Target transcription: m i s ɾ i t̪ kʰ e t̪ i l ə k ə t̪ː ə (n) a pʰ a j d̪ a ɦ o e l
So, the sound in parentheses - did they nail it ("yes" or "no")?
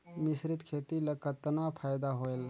yes